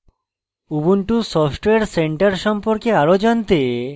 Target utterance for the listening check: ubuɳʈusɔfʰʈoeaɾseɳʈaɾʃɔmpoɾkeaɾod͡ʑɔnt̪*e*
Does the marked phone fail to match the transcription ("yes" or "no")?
no